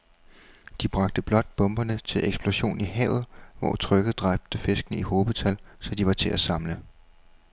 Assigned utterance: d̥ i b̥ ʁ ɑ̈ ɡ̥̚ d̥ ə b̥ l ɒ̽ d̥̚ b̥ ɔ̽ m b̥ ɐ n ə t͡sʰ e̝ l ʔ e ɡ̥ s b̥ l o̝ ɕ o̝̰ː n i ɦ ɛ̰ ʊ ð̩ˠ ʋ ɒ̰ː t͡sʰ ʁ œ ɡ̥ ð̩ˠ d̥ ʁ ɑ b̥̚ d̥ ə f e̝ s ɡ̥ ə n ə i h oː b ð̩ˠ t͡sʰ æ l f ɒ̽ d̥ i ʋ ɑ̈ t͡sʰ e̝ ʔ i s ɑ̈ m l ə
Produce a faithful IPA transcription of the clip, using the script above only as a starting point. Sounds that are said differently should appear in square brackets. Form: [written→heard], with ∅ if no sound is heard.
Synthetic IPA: d̥ i b̥ ʁ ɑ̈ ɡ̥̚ d̥ ə b̥ l ɒ̽ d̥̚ b̥ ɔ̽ m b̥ ɐ n ə t͡sʰ e̝ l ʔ e ɡ̥ s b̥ l o̝ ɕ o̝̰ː n i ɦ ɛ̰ ʊ ð̩ˠ ʋ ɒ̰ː t͡sʰ ʁ œ ɡ̥ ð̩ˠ d̥ ʁ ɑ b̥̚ d̥ ə f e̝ s ɡ̥ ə n ə i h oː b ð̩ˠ t͡sʰ æ l [f→s] ɒ̽ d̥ i ʋ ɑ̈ t͡sʰ e̝ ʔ [i→æ] s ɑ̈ m l ə